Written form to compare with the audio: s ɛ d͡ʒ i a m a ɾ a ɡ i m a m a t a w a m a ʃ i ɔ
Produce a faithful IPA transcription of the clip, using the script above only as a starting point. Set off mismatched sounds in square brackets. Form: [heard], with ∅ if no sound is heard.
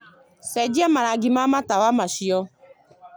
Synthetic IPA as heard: s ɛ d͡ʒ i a m a ɾ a ɡ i m a m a t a w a m a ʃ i ɔ